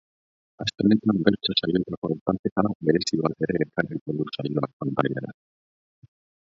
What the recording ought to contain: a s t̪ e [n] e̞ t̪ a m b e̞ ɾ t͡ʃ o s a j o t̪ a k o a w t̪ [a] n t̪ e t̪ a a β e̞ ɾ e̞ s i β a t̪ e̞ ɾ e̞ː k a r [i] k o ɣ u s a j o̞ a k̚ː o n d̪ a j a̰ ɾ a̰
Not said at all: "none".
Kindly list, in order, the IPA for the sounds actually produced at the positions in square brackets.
n, a, i

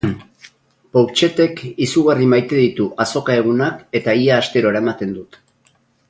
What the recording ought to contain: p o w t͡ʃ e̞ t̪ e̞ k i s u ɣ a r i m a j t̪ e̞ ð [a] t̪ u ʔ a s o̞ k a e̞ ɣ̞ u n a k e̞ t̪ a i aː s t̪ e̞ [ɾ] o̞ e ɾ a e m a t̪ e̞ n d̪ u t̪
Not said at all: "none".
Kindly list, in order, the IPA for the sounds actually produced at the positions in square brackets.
i, ɾ

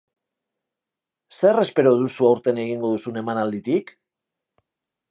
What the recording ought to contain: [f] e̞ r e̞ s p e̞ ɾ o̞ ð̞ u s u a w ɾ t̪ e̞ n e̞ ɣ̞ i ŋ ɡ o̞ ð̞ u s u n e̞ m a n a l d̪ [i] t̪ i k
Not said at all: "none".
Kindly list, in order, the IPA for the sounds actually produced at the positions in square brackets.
s, i

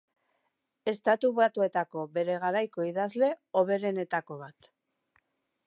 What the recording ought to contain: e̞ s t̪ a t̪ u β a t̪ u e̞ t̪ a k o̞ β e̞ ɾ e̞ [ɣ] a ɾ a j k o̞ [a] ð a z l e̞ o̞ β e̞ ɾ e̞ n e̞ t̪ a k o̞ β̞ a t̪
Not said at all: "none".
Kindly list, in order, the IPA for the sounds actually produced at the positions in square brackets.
ɣ, i

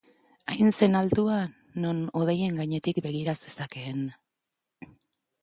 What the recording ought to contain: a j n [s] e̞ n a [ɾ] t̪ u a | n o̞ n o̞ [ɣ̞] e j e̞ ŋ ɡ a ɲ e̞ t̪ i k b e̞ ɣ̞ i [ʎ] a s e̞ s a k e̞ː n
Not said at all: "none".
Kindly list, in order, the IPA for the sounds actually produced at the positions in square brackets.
s, l, ð̞, ɾ

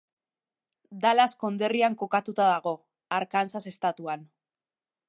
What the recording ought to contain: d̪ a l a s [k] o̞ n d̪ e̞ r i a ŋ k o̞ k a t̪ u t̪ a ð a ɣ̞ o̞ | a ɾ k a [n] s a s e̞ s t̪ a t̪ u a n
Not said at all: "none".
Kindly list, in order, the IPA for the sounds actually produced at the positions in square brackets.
k, n

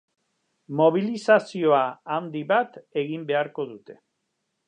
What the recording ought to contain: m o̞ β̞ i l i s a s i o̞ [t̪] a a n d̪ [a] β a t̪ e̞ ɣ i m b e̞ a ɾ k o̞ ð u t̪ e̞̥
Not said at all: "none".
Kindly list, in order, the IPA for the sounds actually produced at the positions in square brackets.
none, i

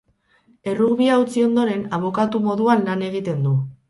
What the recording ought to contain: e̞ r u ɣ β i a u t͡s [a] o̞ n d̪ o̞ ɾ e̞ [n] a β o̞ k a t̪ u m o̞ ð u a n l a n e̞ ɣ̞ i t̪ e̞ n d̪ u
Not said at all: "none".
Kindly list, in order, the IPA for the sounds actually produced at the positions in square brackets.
i, n

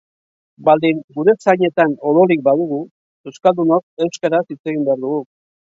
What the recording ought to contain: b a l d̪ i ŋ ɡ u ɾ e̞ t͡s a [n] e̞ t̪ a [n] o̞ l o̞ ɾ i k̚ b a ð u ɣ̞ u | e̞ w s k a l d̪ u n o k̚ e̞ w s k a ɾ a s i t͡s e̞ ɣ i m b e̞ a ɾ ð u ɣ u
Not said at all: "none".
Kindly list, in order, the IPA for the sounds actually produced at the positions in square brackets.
ɲ, n

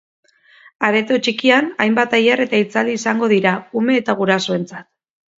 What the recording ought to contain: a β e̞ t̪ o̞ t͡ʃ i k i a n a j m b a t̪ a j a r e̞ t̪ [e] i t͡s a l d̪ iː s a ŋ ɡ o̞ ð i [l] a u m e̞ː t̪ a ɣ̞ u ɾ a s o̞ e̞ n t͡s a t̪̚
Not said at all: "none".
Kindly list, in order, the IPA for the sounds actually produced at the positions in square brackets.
a, ɾ

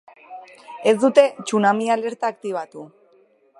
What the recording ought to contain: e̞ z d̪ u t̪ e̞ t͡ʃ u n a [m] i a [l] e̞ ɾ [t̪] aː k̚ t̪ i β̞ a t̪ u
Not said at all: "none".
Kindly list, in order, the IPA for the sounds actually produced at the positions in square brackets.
m, l, t̪

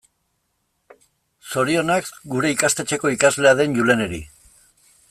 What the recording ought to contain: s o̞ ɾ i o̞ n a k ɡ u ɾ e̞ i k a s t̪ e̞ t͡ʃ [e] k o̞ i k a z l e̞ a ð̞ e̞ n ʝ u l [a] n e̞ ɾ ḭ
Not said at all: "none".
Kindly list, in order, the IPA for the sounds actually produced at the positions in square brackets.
e, e

